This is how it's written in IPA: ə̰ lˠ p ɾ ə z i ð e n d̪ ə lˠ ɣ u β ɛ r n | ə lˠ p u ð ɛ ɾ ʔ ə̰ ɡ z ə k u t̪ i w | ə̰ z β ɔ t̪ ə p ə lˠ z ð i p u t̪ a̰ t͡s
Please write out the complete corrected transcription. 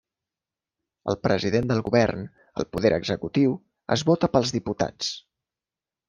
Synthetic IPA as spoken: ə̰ lˠ p ɾ ə z i ð e n d̪ ə lˠ ɣ u β ɛ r n | ə lˠ p u ð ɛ ɾ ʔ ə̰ ɡ z ə k u t̪ i w | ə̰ z β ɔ t̪ ə p ə lˠ z ð i p u t̪ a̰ t͡s

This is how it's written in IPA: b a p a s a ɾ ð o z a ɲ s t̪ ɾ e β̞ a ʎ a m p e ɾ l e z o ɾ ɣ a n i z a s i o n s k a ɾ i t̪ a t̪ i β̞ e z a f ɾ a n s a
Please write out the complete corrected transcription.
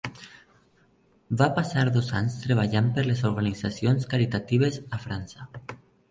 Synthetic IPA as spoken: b a p a s a ɾ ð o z a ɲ s t̪ ɾ e β̞ a ʎ a m p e ɾ l e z o ɾ ɣ a n i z a s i o n s k a ɾ i t̪ a t̪ i β̞ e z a f ɾ a n s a

